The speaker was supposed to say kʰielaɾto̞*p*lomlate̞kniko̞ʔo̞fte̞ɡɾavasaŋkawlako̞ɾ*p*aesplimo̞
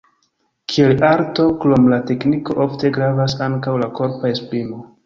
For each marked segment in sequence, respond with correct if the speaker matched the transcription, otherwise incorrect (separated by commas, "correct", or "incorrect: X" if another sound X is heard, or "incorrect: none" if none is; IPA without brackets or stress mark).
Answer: incorrect: k, correct